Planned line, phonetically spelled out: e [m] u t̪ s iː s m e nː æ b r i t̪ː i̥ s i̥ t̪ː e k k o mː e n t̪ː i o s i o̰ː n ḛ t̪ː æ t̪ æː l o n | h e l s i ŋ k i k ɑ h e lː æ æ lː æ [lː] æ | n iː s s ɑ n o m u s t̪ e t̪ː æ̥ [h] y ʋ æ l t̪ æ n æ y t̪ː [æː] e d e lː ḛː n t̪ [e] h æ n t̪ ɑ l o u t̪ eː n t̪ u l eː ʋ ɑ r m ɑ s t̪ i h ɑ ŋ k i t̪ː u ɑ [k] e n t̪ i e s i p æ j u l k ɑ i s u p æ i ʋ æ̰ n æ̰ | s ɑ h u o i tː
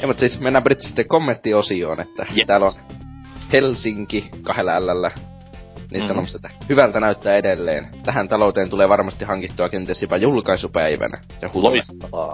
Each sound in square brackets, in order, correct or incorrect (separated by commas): correct, correct, correct, correct, incorrect, correct